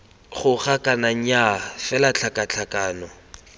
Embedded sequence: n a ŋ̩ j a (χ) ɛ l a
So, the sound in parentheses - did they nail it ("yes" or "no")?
no